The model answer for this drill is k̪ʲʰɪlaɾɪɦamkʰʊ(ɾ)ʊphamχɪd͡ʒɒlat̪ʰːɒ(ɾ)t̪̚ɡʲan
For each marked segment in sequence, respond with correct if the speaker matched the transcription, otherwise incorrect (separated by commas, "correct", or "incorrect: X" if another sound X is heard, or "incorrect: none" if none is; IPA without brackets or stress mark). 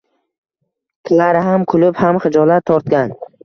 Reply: incorrect: l, correct